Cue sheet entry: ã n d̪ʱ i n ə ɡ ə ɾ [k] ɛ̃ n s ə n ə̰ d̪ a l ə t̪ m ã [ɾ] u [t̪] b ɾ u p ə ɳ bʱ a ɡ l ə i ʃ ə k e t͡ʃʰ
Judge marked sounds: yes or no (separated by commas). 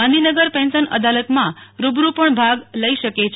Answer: no, yes, no